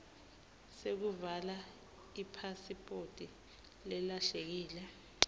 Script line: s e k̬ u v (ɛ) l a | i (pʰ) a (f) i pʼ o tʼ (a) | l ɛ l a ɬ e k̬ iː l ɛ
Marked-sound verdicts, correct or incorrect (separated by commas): incorrect, correct, incorrect, incorrect